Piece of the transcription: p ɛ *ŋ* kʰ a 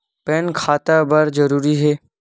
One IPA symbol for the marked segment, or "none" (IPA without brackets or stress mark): n